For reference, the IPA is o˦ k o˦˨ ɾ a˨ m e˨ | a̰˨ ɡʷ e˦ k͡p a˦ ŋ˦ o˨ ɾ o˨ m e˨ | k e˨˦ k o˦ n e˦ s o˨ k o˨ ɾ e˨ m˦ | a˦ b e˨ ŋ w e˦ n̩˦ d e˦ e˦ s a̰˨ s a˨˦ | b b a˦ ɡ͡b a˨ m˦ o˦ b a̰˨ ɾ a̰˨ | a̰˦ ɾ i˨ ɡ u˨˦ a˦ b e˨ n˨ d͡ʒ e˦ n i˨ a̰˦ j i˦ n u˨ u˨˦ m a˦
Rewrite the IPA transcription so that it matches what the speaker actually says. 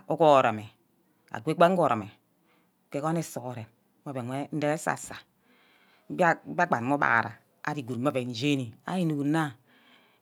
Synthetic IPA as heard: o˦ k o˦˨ ɾ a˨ m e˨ | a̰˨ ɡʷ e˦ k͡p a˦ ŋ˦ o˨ ɾ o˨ m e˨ | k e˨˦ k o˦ n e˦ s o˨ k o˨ ɾ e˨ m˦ | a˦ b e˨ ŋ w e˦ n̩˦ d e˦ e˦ s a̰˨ s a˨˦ | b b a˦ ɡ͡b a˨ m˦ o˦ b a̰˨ ɾ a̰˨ | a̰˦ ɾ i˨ ɡ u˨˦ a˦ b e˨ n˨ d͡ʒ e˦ n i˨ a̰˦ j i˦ n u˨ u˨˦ n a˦

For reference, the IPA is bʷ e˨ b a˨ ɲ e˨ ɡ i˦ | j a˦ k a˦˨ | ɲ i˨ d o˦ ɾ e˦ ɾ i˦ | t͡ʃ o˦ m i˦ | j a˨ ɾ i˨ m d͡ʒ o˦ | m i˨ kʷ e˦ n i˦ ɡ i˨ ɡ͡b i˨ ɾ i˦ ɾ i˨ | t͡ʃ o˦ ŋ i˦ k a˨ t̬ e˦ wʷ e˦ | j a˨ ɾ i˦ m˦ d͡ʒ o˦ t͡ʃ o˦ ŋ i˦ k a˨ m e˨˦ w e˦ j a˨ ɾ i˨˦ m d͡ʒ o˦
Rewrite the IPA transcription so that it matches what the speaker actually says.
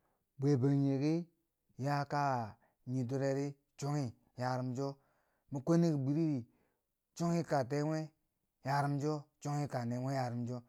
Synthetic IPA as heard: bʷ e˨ b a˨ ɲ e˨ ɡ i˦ | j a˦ k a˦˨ | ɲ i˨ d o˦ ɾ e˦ ɾ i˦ | t͡ʃ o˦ ŋ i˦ | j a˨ ɾ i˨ m d͡ʒ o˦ | m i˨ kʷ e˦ n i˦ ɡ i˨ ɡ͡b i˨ ɾ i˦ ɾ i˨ | t͡ʃ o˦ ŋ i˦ k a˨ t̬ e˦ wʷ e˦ | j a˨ ɾ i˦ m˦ d͡ʒ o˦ t͡ʃ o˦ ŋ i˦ k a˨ n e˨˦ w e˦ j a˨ ɾ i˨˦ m d͡ʒ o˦

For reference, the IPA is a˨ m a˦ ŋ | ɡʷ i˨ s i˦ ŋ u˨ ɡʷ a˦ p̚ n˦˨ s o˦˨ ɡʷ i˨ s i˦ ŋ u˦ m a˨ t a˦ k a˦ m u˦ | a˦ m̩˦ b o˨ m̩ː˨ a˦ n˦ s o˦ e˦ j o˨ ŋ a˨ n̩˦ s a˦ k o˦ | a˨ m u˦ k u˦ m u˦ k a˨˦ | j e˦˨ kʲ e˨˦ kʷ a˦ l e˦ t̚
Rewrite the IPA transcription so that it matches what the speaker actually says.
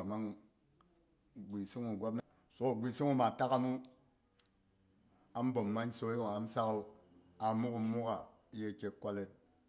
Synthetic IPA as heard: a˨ m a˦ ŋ | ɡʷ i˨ s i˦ ŋ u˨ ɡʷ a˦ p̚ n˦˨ s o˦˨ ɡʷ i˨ s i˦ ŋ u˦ m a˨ t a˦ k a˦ m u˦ | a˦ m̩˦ b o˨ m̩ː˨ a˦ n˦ s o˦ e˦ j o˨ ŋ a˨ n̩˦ s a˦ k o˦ | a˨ m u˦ k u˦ m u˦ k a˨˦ | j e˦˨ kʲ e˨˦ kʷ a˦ l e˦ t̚

